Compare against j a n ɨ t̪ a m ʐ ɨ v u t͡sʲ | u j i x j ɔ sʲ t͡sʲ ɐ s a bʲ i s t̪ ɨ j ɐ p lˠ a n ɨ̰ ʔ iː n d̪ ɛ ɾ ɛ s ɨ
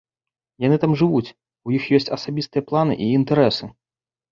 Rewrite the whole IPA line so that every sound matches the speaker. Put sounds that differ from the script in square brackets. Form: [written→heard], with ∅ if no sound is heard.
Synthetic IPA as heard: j a n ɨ t̪ a m ʐ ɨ v u t͡sʲ | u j i x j ɔ sʲ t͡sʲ ɐ s a bʲ i s t̪ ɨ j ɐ p lˠ a n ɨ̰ ʔ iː n [d̪→t̪] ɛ ɾ ɛ s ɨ